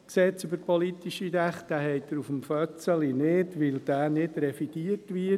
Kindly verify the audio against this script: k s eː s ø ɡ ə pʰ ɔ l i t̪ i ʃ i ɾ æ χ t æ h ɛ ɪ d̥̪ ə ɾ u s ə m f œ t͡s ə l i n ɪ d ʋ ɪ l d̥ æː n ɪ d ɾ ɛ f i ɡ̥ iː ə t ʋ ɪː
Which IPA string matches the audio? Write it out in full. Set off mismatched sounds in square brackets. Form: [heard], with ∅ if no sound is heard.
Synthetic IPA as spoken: k s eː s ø [b] ə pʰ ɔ l i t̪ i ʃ i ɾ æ χ t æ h ɛ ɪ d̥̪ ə ɾ u [f] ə m f œ t͡s ə l i n ɪ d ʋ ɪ l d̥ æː n ɪ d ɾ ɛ f i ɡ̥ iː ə t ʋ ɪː